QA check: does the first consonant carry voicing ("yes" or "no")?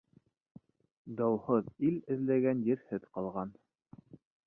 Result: yes